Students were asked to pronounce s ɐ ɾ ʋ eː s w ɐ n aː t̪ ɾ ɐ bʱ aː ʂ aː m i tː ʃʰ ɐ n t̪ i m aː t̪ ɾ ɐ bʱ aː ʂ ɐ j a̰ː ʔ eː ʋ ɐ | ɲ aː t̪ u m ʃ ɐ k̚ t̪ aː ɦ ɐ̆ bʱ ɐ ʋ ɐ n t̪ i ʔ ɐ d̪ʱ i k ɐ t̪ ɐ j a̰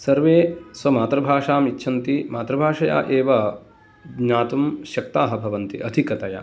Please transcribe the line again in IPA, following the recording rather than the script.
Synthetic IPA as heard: s ɐ ɾ ʋ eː s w ɐ m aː t̪ ɾ ɐ bʱ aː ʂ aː m i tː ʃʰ ɐ n t̪ i m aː t̪ ɾ ɐ bʱ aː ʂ ɐ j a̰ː ʔ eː ʋ ɐ | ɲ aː t̪ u m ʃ ɐ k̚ t̪ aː ɦ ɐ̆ bʱ ɐ ʋ ɐ n t̪ i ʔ ɐ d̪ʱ i k ɐ t̪ ɐ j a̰